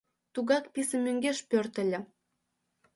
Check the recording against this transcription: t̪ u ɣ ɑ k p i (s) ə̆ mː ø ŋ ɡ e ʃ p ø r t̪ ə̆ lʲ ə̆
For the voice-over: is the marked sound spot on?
yes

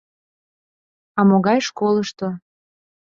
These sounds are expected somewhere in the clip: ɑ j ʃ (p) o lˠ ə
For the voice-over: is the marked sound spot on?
no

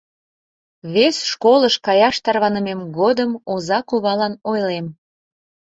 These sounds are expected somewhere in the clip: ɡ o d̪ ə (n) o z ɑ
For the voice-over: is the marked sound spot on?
no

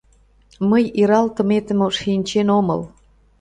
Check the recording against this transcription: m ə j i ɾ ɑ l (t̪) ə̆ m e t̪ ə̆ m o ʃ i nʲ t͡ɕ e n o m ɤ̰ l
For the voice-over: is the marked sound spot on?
yes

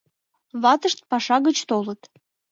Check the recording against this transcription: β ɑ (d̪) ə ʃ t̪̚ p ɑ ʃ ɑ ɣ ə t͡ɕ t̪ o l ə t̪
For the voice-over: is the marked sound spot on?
no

